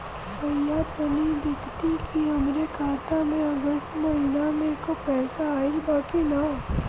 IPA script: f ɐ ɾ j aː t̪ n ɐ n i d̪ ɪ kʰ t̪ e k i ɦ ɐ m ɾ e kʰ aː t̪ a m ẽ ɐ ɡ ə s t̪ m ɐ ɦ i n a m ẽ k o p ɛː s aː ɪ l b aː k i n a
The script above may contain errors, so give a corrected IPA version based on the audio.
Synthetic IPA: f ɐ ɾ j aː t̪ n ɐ n i d̪ ɪ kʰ t̪ i k i ɦ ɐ m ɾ e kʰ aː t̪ a m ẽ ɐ ɡ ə s t̪ m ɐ ɦ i n a m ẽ k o p ɛː s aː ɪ l b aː k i n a